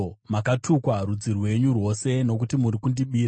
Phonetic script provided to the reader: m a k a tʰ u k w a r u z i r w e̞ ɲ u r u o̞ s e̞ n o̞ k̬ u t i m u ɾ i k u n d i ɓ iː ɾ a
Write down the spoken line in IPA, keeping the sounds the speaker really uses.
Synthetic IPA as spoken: m a k a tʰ u k w a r u d͡z i r w e̞ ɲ u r w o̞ s e̞ n o̞ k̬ u t i m u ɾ i k u n d i ɓ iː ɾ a